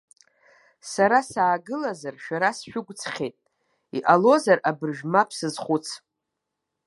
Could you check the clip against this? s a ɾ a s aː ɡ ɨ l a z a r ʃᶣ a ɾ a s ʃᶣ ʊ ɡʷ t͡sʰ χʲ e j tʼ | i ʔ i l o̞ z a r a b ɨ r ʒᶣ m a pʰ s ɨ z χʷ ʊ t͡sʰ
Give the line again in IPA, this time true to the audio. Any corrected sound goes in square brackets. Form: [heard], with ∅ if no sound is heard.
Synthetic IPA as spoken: s a ɾ a s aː ɡ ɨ l a z a r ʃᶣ a ɾ a s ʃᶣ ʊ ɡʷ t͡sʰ χʲ e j tʼ | i ʔ [a] l o̞ z a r a b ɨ r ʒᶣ m a pʰ s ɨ z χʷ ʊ t͡sʰ

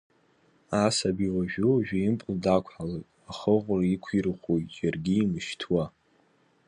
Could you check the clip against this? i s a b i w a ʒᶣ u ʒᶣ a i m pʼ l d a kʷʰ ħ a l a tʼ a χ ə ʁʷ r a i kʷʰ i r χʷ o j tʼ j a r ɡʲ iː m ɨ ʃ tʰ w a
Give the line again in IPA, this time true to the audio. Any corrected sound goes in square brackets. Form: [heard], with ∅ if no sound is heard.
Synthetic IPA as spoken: [a] s a b i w a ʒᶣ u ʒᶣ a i m pʼ l d a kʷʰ ħ a l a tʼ a χ ə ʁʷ r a i kʷʰ i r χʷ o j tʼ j a r ɡʲ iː m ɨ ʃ tʰ w a

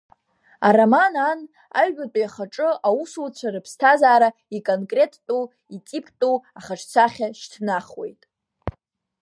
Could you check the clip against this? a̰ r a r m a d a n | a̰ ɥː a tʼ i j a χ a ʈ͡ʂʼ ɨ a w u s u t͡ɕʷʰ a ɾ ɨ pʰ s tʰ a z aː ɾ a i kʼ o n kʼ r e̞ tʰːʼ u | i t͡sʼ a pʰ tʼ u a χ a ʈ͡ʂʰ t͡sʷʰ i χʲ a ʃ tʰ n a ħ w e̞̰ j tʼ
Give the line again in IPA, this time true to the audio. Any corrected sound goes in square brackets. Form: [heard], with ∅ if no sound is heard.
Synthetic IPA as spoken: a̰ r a [∅] m a [n] a n | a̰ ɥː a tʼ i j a χ a ʈ͡ʂʼ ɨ a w u s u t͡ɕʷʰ a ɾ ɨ pʰ s tʰ a z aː ɾ a i kʼ o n kʼ r e̞ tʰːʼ u | i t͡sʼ [i] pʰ tʼ u a χ a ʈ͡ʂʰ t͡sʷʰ [a] χʲ a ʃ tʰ n a [χ] w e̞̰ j tʼ

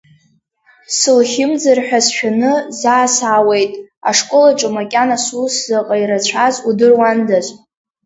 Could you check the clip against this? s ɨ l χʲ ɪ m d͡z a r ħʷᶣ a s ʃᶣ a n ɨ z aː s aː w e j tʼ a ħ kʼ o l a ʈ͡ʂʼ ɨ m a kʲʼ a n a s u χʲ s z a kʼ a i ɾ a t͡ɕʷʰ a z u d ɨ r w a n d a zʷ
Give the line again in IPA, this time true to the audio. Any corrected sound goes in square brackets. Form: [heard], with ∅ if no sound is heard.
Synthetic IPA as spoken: s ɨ l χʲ ɪ m d͡z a r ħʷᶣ a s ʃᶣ a n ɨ z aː s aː w e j tʼ a [ʂ] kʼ o l a ʈ͡ʂʼ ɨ m a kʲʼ a n a s u [∅] s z a [qʼ] a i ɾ a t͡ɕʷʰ a z u d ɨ r w a n d a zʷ

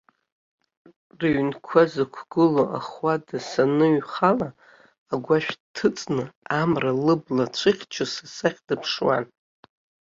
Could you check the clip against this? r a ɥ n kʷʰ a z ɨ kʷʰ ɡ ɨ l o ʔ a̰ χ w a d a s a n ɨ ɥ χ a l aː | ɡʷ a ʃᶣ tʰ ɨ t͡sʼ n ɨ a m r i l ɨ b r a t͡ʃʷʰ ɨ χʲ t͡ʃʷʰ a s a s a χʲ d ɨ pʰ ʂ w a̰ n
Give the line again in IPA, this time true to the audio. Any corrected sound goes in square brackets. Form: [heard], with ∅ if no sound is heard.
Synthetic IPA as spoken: r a ɥ n kʷʰ a z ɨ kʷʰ ɡ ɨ l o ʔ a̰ χ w a d a s a n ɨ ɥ χ a l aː | ɡʷ a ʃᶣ tʰ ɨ t͡sʼ n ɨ a m r [a] l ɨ b [l] a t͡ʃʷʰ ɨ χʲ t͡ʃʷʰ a s a s a χʲ d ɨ pʰ ʂ w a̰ n

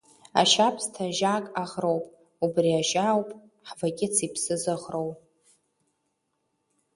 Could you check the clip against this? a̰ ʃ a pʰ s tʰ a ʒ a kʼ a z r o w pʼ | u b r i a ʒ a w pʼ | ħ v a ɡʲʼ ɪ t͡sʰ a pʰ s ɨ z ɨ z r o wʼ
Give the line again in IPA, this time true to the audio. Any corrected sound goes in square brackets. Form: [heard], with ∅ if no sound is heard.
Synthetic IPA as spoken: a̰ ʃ a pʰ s tʰ a ʒ a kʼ a [ʁ] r o w pʼ | u b r i a ʒ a w pʼ | ħ v a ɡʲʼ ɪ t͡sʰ [i] pʰ s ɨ z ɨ [ʁ] r o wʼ

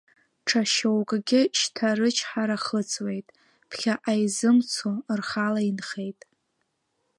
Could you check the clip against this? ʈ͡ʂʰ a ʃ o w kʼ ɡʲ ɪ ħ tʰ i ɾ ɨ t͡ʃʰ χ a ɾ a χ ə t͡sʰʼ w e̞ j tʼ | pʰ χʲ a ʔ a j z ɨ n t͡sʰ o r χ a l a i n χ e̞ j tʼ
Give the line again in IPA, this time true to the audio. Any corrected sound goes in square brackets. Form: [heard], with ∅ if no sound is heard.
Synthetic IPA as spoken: ʈ͡ʂʰ a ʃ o w kʼ ɡʲ ɪ [ʃ] tʰ [a] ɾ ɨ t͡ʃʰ [ħ] a ɾ a χ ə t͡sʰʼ w e̞ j tʼ | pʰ χʲ a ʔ a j z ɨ [m] t͡sʰ o r χ a l a i n χ e̞ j tʼ

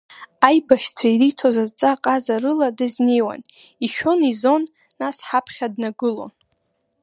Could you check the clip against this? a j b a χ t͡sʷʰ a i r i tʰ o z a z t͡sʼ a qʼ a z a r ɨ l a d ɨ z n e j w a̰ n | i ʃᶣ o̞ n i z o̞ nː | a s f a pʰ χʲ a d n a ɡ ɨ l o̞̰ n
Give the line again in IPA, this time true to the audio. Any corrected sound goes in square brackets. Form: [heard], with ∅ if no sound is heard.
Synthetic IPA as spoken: a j b a [ʃ] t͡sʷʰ a i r i tʰ o z a z t͡sʼ a qʼ a z a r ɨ l a d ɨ z n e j w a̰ n | i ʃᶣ o̞ n i z o̞ nː | a s [ħ] a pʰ χʲ a d n a ɡ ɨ l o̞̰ n

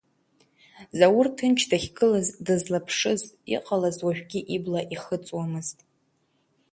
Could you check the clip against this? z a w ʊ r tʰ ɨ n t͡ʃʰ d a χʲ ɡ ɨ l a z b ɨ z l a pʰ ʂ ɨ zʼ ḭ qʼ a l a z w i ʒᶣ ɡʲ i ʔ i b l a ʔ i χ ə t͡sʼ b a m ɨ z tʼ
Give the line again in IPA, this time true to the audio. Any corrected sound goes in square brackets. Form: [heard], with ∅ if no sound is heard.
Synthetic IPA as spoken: z a w ʊ r tʰ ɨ n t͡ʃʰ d a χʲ ɡ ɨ l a z [d] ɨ z l a pʰ ʂ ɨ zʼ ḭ qʼ a l a z w [a] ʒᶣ ɡʲ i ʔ i b l a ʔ i χ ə t͡sʼ [w] a m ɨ z tʼ

